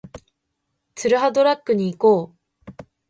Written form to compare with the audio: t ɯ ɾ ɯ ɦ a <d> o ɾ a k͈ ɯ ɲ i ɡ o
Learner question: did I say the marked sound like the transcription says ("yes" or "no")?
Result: yes